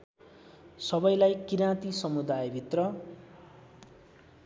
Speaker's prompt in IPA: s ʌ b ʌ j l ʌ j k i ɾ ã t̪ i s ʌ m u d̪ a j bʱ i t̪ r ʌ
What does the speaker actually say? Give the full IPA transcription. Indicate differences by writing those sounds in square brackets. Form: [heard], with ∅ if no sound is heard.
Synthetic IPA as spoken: s ʌ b ʌ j l [a] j k i ɾ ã t̪ i s ʌ m u d̪ a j bʱ i t̪ r ʌ